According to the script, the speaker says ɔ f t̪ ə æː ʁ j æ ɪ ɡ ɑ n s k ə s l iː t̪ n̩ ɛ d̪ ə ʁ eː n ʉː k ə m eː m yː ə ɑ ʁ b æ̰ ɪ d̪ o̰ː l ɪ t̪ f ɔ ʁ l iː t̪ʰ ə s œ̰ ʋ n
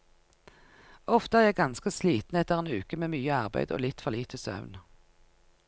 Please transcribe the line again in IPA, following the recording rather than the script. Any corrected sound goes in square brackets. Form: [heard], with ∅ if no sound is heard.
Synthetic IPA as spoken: ɔ f t̪ ə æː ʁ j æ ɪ ɡ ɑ n s k ə s l iː t̪ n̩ ɛ [t̪] ə ʁ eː n ʉː k ə m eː m yː ə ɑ ʁ b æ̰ ɪ d̪ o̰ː l ɪ t̪ f ɔ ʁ l iː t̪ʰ ə s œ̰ ʋ n